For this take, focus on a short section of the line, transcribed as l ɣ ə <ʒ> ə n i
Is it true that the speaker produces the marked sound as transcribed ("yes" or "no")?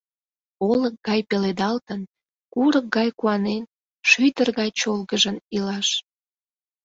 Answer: yes